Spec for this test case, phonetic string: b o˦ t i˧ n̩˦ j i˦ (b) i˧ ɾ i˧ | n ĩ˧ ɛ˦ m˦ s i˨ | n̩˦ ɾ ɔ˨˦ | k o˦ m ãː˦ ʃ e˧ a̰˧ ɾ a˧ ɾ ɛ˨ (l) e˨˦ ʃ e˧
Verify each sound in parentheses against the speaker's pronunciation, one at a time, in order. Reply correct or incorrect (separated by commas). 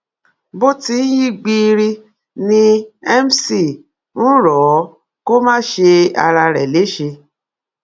incorrect, correct